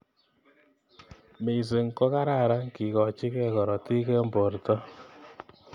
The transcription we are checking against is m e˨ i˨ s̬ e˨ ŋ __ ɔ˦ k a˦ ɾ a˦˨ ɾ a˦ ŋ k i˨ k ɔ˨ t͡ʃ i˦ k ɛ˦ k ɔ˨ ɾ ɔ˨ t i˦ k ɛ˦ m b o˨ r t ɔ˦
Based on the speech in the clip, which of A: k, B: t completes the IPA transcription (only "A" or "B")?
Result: A